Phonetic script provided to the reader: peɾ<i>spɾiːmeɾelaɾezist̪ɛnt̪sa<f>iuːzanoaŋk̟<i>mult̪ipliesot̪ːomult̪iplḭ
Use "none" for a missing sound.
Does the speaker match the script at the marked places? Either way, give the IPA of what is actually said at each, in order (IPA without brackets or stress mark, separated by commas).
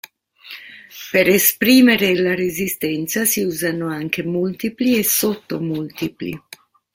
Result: e, s, e